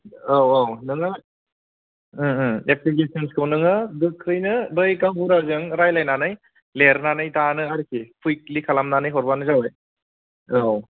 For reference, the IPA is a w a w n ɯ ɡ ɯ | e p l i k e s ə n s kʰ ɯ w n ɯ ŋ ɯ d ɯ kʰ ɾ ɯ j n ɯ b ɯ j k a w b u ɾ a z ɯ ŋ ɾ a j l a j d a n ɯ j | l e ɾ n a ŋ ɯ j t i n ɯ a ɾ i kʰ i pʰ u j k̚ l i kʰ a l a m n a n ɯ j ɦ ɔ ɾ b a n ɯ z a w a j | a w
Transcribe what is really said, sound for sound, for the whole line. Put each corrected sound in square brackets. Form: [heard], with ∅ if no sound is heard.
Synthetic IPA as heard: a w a w n ɯ [ŋ] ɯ | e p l i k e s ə n s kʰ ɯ w n ɯ ŋ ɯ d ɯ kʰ ɾ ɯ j n ɯ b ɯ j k a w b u ɾ a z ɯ ŋ ɾ a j l a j [n] a n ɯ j | l e ɾ n a [n] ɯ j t [a] n ɯ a ɾ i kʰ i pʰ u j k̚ l i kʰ a l a m n a n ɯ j ɦ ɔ ɾ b a n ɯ z a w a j | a w

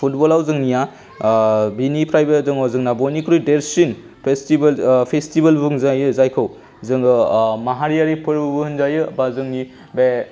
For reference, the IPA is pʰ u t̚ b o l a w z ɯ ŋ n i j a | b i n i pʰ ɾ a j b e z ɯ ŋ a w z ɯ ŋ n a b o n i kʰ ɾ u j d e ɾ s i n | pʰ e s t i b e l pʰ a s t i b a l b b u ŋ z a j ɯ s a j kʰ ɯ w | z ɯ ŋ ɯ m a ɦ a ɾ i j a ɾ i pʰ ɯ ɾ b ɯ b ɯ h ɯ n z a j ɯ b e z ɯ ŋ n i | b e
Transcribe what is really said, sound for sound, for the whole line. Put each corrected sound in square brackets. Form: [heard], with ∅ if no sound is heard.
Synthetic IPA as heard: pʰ u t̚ b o l a w z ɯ ŋ n i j a | b i n i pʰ ɾ a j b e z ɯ ŋ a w z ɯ ŋ n a b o n i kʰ ɾ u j d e ɾ s i n | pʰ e s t i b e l pʰ [e] s t i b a l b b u ŋ z a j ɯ [z] a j kʰ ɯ w | z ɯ ŋ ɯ m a ɦ a ɾ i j a ɾ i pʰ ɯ ɾ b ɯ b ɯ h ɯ n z a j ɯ b [a] z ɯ ŋ n i | b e

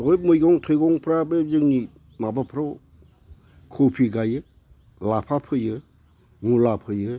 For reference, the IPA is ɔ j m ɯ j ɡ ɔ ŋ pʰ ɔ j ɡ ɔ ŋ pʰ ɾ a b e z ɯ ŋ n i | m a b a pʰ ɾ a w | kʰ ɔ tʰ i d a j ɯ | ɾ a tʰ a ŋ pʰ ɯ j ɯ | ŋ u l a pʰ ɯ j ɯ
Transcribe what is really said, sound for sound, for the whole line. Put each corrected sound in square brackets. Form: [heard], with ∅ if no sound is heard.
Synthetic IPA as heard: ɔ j m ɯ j ɡ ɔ ŋ [tʰ] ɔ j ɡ ɔ ŋ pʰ ɾ a b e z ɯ ŋ n i | m a b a pʰ ɾ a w | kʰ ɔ [pʰ] i [ɡ] a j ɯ | [l] a [pʰ] a [∅] pʰ ɯ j ɯ | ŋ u l a pʰ ɯ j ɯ

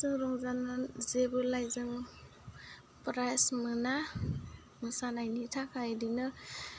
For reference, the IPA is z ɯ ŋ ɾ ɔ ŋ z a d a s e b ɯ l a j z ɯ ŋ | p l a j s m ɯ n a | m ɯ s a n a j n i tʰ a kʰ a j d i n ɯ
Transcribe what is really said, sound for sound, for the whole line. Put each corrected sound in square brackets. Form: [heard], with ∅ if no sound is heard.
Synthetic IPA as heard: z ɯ ŋ ɾ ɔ ŋ z a [n] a [z] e b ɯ l a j z ɯ ŋ | p [ɾ] a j s m ɯ n a | m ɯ s a n a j n i tʰ a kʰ a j d i n ɯ

